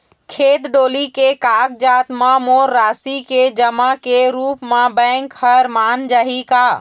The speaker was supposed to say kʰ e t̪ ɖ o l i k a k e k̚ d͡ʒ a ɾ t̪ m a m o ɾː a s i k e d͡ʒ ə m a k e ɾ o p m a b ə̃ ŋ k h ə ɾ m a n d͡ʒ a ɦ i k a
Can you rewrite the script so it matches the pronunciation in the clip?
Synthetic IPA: kʰ e t̪ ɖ o l i k e k a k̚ d͡ʒ a t̪ m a m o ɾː a s i k e d͡ʒ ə m a k e ɾ u p m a b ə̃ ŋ k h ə ɾ m a n d͡ʒ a ɦ i k a